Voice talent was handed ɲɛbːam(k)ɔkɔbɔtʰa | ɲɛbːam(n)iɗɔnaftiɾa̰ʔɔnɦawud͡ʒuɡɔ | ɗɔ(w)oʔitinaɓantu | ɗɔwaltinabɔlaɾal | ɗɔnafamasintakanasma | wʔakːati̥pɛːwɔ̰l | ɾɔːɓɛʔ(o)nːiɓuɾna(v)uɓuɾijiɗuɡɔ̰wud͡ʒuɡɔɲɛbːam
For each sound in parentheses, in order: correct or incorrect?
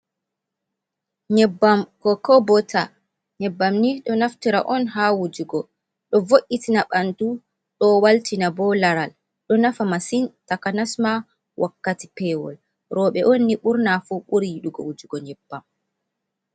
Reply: correct, correct, incorrect, correct, incorrect

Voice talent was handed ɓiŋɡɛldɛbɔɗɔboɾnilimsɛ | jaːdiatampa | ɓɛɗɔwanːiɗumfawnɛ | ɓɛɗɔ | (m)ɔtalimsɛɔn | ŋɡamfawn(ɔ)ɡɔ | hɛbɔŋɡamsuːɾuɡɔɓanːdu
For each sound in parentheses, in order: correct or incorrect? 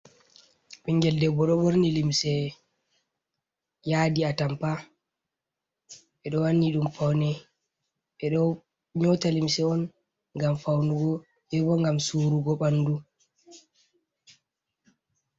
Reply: incorrect, incorrect

